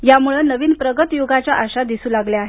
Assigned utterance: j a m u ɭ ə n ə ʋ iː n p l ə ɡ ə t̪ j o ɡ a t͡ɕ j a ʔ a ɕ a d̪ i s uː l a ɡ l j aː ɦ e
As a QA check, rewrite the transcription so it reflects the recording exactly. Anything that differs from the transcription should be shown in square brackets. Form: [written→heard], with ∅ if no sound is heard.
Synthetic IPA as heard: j a m u ɭ ə n ə ʋ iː n p [l→ɾ] ə ɡ ə t̪ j o ɡ a t͡ɕ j a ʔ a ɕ a d̪ i s uː l a ɡ l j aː ɦ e